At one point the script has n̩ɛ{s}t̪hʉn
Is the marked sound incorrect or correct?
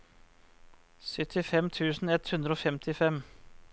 incorrect